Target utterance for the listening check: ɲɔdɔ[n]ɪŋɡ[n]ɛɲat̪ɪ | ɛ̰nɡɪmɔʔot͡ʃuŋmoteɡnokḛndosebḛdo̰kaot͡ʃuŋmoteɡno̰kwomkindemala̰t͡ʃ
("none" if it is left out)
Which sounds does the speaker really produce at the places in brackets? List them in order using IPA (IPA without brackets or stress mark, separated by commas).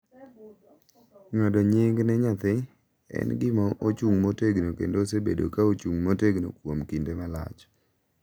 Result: ɲ, n